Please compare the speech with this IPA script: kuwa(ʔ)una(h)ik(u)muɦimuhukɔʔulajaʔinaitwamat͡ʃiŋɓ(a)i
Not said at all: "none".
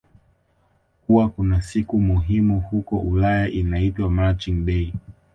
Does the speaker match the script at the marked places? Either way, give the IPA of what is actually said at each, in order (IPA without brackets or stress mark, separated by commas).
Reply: k, s, u, ɛ